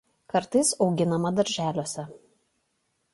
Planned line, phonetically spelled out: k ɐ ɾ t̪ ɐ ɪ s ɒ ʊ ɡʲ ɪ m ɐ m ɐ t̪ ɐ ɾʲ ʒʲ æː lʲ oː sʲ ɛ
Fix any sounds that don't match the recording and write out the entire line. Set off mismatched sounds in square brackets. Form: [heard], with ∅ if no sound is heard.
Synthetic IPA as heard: k ɐ ɾ t̪ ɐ ɪ s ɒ ʊ ɡʲ ɪ [n] ɐ m ɐ [d̪] ɐ ɾʲ ʒʲ æː lʲ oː sʲ ɛ